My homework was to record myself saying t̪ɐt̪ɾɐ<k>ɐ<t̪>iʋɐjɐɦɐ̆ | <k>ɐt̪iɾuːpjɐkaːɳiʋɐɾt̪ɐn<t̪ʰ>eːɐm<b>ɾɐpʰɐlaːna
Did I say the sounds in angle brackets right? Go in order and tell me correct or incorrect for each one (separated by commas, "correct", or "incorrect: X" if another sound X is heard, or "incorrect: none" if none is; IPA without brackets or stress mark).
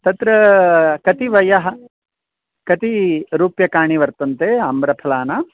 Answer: correct, correct, correct, incorrect: t̪, correct